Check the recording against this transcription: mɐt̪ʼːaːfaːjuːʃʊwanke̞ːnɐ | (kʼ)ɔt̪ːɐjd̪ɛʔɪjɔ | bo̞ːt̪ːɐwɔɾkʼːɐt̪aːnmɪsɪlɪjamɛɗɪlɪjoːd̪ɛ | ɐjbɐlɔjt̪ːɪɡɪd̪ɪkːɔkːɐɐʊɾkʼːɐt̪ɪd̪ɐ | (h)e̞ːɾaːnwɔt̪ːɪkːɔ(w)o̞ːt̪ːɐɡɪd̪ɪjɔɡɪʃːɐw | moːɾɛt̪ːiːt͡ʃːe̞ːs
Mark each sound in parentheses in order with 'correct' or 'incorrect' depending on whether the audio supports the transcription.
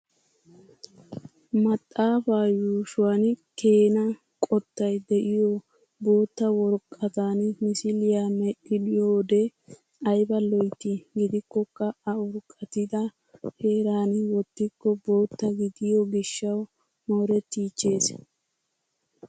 correct, correct, incorrect

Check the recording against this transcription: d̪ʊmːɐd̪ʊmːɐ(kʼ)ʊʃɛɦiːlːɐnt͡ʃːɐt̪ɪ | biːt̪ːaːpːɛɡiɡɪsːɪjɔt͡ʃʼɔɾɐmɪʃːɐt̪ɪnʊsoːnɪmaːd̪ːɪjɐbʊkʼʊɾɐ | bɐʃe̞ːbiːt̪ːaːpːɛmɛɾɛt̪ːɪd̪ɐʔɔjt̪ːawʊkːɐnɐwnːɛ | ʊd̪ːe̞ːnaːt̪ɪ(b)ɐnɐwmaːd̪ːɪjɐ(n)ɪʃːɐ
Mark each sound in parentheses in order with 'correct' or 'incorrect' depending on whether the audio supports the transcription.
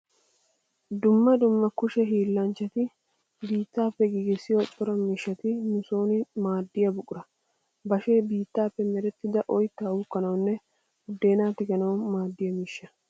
incorrect, incorrect, incorrect

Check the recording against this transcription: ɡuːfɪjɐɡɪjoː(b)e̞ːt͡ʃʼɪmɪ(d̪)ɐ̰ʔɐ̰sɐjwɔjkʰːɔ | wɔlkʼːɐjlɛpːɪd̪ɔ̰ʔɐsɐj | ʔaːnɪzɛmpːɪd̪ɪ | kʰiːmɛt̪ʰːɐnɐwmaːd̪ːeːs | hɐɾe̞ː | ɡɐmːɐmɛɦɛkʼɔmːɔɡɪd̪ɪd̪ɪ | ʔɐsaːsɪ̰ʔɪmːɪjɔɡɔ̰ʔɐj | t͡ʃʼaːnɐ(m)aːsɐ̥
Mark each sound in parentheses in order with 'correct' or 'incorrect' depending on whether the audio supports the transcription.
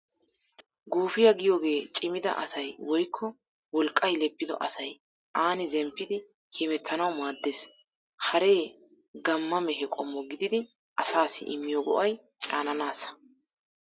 incorrect, correct, incorrect

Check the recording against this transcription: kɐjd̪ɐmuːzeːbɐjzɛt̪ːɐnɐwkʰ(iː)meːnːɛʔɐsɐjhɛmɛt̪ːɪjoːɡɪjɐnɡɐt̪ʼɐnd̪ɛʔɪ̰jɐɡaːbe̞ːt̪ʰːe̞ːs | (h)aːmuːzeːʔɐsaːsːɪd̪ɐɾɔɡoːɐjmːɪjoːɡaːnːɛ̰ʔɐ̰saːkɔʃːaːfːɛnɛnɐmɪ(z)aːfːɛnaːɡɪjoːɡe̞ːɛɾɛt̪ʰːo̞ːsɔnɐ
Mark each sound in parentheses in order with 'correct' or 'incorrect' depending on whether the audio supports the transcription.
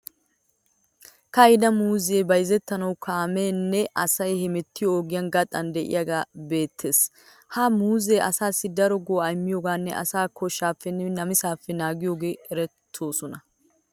incorrect, correct, incorrect

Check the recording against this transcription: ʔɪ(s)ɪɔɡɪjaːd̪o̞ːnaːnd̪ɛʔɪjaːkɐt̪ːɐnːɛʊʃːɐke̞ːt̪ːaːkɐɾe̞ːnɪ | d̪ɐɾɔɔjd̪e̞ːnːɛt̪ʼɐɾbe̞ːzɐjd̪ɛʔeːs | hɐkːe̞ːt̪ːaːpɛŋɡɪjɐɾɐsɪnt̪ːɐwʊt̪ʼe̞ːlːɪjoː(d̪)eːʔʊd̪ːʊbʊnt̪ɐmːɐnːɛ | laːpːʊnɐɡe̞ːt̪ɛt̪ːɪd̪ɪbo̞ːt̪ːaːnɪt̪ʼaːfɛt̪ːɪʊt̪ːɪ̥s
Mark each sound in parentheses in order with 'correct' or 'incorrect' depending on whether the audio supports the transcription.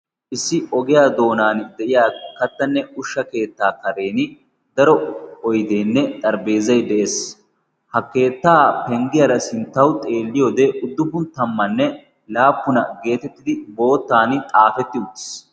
incorrect, correct

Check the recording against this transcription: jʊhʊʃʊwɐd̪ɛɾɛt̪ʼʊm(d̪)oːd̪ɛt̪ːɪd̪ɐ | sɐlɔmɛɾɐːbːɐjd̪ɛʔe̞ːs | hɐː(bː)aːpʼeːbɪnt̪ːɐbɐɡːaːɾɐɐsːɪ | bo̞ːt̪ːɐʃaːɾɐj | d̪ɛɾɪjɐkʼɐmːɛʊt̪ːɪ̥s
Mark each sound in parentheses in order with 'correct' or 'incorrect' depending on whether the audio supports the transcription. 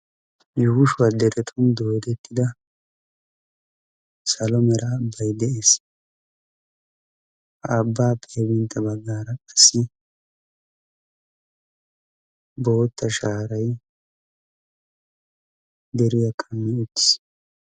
correct, correct

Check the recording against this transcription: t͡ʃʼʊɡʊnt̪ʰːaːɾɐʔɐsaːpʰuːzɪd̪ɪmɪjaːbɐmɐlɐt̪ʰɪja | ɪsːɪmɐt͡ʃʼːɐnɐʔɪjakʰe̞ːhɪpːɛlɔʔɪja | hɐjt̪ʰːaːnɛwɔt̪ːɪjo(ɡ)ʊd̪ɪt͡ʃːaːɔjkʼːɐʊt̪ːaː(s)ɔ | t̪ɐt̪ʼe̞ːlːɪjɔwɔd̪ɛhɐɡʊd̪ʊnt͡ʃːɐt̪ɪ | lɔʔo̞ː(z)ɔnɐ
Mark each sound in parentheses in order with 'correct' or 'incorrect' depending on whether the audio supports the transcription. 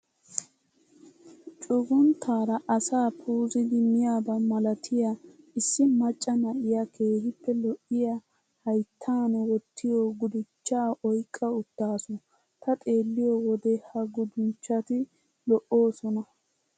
correct, correct, incorrect

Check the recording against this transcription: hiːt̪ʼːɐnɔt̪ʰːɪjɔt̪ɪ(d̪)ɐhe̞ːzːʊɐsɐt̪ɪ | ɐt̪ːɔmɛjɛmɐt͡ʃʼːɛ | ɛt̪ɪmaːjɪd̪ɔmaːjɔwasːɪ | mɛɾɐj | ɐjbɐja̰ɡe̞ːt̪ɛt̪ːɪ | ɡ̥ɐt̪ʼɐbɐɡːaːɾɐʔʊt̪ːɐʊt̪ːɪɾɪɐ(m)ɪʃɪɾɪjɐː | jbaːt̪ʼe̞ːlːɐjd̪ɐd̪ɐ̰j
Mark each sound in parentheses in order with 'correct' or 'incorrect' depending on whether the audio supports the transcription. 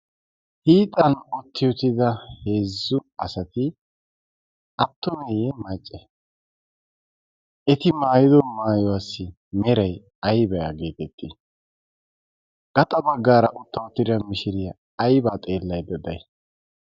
correct, correct

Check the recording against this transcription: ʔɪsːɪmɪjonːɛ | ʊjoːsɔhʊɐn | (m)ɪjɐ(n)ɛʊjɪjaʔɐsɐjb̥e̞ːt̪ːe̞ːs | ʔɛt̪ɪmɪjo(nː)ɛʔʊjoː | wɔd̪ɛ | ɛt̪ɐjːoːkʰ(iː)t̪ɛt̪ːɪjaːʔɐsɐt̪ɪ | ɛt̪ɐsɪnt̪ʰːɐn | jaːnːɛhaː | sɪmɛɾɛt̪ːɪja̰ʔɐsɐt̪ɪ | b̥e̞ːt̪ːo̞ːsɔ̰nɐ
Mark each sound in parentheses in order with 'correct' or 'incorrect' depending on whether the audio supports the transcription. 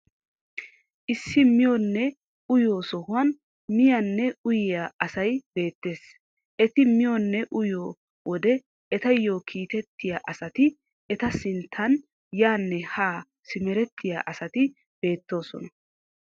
correct, incorrect, correct, correct

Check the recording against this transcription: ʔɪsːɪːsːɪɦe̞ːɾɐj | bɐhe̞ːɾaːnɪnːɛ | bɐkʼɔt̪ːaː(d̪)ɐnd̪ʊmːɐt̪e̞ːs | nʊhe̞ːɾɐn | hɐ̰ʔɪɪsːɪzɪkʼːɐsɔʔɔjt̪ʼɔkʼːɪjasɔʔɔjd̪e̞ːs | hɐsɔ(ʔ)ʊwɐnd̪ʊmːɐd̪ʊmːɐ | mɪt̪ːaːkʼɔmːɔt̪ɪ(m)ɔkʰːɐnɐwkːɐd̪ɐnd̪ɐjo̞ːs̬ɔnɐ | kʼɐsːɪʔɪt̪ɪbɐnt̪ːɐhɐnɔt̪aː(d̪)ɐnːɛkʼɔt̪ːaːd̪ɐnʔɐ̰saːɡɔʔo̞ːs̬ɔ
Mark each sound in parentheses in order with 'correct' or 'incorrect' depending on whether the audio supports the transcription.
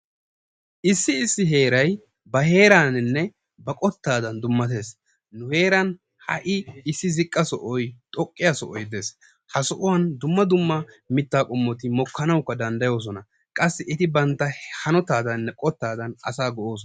correct, correct, correct, correct

